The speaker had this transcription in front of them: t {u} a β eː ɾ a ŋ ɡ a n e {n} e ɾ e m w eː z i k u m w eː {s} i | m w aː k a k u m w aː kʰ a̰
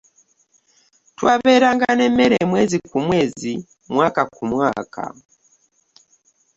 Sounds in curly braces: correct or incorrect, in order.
incorrect: w, incorrect: m, incorrect: z

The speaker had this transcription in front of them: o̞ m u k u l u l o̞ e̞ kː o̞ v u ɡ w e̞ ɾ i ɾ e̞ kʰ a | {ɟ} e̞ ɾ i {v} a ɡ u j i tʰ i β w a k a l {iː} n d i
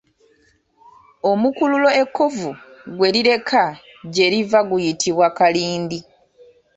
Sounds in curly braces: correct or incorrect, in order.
correct, correct, correct

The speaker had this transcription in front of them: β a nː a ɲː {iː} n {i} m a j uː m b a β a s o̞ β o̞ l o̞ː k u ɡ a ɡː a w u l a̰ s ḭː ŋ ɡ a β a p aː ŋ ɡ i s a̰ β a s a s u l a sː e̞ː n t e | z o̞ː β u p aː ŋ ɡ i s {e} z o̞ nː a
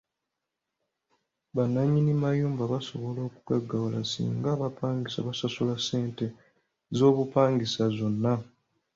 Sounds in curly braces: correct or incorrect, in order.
incorrect: i, correct, incorrect: a

